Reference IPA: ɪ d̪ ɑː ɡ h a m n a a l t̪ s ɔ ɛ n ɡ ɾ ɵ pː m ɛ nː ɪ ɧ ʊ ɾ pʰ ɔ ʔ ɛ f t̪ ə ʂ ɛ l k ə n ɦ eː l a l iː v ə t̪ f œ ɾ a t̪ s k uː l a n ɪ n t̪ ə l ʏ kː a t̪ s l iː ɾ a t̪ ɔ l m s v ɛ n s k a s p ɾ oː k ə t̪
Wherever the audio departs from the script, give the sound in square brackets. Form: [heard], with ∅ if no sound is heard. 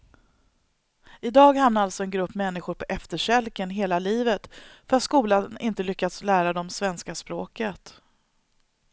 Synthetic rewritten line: ɪ d̪ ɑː ɡ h a m n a a l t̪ s ɔ ɛ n ɡ ɾ ɵ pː m ɛ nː ɪ ɧ ʊ ɾ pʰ ɔ ʔ ɛ f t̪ ə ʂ ɛ l k ə n ɦ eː l a l iː v ə t̪ f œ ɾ a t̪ s k uː l a n ɪ n t̪ ə l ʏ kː a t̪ s l [æː] ɾ a [d̪] ɔ [∅] m s v ɛ n s k a s p ɾ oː k ə t̪